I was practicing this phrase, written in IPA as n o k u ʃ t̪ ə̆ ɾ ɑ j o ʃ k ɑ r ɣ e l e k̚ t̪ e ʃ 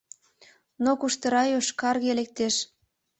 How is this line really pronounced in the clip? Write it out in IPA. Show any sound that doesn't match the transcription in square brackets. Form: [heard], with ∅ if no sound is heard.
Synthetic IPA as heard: n o k u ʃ t̪ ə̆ ɾ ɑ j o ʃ k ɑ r ɣ e l e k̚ t̪ e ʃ

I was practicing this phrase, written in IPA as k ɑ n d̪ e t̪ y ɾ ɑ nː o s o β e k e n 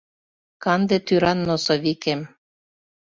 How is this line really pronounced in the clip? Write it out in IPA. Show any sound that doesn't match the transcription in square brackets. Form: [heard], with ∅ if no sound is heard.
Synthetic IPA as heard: k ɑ n d̪ e t̪ y ɾ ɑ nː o s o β [i] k e [m]

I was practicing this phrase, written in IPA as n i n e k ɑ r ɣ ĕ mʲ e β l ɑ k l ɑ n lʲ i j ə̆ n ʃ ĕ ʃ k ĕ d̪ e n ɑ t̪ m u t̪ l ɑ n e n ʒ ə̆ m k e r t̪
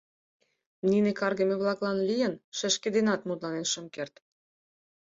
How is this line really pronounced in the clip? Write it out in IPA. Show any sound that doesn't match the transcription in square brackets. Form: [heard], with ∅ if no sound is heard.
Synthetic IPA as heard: n i n e k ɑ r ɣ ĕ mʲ e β l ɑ k l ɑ n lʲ i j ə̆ n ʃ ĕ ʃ k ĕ d̪ e n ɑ t̪ m u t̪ l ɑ n e n [ʃ] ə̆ m k e r t̪

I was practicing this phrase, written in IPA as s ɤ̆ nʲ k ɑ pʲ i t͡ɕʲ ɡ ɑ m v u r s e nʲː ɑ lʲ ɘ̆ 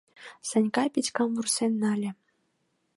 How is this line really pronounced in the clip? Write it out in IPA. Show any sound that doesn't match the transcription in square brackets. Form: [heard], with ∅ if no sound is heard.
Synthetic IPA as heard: s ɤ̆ nʲ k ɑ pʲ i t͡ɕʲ [k] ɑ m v u r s e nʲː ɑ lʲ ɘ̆

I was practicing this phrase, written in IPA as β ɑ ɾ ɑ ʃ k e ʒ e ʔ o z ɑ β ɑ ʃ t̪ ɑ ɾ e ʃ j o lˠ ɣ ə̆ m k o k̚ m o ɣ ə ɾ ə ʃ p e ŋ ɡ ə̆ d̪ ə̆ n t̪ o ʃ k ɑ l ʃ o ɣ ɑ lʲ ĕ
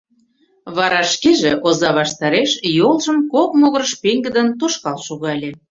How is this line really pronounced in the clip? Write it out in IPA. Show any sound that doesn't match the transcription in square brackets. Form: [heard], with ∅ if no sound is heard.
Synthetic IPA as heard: β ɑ ɾ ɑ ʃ k e ʒ e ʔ o z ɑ β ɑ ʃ t̪ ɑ ɾ e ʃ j o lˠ [ʒ] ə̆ m k o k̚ m o ɣ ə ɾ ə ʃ p e ŋ ɡ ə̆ d̪ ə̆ n t̪ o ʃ k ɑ l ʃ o ɣ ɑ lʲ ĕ

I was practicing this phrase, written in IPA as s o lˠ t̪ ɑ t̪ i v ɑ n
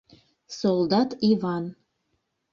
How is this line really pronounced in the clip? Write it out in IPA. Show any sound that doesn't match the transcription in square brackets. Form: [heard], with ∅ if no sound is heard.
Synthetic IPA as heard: s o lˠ [d̪] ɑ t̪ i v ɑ n

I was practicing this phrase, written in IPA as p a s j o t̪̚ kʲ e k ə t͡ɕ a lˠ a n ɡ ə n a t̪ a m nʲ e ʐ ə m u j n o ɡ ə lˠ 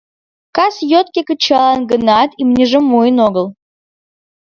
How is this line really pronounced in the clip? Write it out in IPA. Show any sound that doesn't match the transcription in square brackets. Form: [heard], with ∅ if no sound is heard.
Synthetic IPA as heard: [k] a s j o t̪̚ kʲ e k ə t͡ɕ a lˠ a n ɡ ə n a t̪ [i] m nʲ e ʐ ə m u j n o ɡ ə lˠ

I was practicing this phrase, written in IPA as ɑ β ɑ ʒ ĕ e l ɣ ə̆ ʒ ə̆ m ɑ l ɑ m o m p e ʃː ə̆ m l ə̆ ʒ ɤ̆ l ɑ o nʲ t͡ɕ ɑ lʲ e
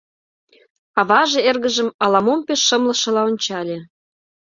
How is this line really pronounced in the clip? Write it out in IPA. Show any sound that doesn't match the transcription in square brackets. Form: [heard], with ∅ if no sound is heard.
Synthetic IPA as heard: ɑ β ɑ ʒ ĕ e [r] ɣ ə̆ ʒ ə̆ m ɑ l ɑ m o m p e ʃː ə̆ m l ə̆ [ʃ] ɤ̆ l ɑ o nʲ t͡ɕ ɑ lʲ e

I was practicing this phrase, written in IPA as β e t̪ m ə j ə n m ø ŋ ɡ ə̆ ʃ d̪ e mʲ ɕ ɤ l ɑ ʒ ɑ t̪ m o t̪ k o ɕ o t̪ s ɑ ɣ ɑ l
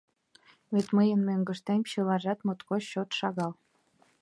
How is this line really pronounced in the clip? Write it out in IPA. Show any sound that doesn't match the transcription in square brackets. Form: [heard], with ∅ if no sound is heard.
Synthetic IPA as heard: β e t̪ m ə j ə n m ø ŋ ɡ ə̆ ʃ [t̪] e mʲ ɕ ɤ l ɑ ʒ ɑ t̪ m o t̪ k o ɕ o t̪ [ʃ] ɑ ɣ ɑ l

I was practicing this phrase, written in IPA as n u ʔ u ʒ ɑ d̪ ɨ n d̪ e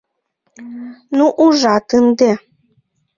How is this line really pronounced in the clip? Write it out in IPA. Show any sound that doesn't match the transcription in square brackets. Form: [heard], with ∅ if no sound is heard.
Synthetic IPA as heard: n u ʔ u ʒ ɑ [t̪] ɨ n d̪ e

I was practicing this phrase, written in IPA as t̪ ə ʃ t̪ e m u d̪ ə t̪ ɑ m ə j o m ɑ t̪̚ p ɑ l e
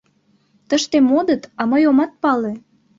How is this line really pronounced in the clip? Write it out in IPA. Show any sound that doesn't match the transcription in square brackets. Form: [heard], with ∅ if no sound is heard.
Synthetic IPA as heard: t̪ ə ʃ t̪ e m [o] d̪ ə t̪ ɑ m ə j o m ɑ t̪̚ p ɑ l e

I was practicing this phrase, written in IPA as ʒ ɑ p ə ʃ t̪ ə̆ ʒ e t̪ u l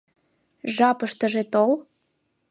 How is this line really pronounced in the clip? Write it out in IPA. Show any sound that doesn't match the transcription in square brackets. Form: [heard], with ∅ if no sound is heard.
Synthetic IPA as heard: ʒ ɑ p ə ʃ t̪ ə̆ ʒ e t̪ [o] l

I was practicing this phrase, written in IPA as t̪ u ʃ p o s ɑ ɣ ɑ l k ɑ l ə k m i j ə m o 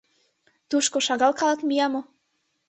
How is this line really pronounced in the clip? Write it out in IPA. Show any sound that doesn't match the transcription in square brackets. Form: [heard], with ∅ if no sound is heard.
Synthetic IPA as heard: t̪ u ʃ [k] o [ʃ] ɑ ɣ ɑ l k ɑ l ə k m i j [ɑ] m o

